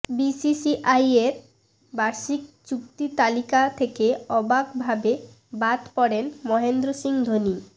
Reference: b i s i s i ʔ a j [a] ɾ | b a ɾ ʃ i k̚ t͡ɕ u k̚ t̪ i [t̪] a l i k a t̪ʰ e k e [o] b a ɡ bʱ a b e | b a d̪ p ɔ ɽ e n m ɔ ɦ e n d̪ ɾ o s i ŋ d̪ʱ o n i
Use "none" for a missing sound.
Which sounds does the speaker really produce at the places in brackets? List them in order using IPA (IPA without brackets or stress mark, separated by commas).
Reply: e, t̪, ɔ